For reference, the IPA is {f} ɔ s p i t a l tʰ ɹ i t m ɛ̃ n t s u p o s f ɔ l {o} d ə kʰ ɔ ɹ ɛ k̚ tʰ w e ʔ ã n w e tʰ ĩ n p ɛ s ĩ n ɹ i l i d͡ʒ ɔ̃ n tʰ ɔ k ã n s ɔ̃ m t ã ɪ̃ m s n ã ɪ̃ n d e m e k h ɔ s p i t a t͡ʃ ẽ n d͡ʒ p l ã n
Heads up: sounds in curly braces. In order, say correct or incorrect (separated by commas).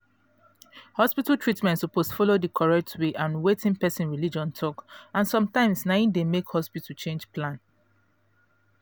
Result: incorrect, correct